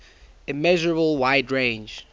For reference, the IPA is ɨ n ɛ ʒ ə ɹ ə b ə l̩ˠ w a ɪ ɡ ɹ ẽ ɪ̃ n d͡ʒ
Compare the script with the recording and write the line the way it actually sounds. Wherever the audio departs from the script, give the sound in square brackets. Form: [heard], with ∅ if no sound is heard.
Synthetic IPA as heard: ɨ [m] ɛ ʒ ə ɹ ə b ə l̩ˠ w a ɪ [d] ɹ ẽ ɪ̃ n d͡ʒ

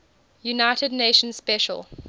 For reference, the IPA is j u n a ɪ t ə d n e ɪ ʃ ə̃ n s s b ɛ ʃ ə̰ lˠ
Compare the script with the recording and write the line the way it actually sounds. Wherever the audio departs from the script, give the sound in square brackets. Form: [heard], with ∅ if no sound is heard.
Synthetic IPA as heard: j u n a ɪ t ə d n e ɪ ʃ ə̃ n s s [p] ɛ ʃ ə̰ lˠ

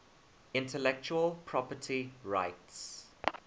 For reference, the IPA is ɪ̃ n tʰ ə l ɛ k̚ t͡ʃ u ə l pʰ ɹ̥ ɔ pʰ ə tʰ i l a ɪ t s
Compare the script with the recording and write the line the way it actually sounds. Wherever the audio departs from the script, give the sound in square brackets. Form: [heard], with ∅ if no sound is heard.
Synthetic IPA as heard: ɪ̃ n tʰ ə l ɛ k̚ t͡ʃ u ə l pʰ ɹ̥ ɔ [p] ə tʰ i [ɹ] a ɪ t s

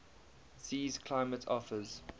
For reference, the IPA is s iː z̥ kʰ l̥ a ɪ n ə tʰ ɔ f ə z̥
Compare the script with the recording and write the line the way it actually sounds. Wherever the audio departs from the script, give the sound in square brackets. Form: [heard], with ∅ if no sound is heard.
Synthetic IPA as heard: s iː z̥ kʰ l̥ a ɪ [m] ə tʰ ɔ f ə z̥

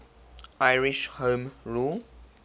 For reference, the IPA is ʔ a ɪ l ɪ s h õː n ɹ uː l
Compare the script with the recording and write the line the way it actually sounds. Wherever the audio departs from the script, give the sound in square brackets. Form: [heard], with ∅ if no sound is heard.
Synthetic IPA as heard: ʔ a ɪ [ɹ] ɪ [ʃ] h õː [m] ɹ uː l

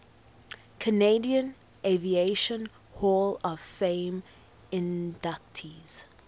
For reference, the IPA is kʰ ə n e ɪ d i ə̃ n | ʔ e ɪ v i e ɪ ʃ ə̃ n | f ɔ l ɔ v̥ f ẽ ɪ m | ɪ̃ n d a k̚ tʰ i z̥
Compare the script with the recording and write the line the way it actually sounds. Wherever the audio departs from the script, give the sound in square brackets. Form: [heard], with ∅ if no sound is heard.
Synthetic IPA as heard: kʰ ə n e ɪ d i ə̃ n | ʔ e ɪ v i e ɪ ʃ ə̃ n | [h] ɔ l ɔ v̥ f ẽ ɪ m | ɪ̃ n d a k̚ tʰ i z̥

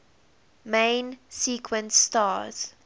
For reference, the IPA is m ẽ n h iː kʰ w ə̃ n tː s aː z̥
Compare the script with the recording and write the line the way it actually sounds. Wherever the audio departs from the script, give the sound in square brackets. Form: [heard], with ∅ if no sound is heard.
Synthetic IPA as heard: m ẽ n [s] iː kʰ w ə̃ n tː [t] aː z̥

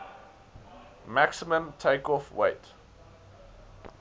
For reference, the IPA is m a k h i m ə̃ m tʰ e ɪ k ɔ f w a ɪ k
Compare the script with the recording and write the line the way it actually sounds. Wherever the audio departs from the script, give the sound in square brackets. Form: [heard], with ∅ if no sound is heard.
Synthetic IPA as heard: m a k [s] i m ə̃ m tʰ e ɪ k ɔ f w [e] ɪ [t]

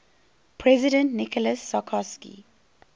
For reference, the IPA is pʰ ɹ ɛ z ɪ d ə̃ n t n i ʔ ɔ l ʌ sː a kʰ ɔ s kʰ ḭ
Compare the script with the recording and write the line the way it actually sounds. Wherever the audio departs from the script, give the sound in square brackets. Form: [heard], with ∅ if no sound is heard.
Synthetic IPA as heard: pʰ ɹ ɛ z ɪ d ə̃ n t n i [k] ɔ l [ə] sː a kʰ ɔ s [k] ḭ

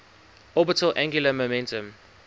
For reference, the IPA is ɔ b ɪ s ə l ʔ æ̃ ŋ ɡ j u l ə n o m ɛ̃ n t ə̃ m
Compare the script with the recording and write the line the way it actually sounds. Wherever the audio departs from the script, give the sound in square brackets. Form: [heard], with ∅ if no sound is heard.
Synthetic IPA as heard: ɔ b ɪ [t] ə l ʔ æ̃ ŋ ɡ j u l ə [m] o m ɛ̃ n t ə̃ m

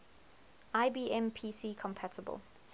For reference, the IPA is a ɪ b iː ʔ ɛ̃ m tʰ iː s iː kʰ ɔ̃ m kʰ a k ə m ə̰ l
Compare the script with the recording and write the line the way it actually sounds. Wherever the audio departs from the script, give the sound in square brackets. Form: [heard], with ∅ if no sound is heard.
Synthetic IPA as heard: a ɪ b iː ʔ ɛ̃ m [pʰ] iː s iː kʰ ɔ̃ m [pʰ] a [t] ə [b] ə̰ l

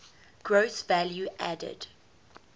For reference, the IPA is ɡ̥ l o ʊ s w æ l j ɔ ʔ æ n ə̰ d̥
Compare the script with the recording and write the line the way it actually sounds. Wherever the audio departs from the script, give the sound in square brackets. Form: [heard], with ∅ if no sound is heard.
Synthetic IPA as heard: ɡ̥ [ɹ] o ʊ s [v] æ l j [u] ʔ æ [d] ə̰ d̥

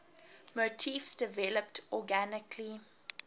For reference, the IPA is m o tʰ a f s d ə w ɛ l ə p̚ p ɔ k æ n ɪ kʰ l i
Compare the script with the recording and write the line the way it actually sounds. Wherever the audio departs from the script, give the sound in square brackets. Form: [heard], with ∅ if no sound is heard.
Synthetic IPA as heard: m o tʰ [i] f s d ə [v] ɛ l ə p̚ [t] ɔ [ɡ] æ n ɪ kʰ l i

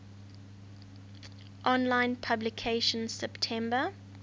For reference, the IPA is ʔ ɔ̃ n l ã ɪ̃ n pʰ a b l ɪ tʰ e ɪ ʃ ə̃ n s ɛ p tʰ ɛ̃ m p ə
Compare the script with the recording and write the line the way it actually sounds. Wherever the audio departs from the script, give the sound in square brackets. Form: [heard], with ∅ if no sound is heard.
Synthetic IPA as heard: ʔ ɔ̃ n l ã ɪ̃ n pʰ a b l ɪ [kʰ] e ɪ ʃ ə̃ n s ɛ p tʰ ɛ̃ m [b] ə

